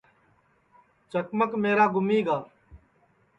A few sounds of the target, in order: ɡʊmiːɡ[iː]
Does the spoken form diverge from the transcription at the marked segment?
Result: yes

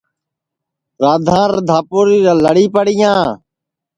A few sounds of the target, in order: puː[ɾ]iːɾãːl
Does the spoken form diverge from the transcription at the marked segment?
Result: no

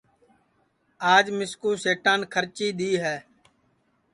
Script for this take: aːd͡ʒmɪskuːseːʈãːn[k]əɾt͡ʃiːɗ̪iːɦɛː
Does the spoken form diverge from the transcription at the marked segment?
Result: yes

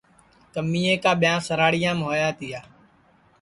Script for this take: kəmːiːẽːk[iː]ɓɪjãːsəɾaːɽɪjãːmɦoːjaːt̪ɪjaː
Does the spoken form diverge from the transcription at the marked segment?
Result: yes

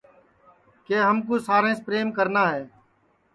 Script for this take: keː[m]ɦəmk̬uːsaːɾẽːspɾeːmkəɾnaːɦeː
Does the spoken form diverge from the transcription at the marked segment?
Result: yes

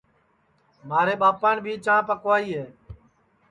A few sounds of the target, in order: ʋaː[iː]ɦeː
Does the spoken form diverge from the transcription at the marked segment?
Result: no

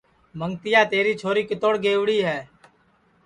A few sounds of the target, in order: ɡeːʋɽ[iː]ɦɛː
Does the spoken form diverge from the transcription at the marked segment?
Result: no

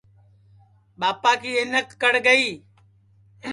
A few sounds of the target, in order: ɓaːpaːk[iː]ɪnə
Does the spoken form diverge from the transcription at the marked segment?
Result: no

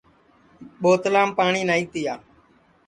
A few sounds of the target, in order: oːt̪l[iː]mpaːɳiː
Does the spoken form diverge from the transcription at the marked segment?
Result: yes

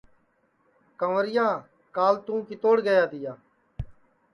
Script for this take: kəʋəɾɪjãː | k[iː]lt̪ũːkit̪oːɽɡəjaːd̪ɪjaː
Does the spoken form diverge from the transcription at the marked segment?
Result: yes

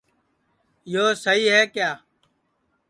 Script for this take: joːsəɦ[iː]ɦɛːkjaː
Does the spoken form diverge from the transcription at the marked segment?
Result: no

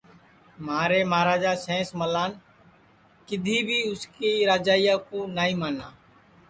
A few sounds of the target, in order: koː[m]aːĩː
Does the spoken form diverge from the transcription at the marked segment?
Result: yes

